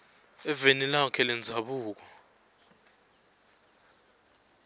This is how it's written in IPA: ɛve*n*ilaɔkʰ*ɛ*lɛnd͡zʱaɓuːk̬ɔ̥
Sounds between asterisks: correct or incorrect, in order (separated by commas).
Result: correct, correct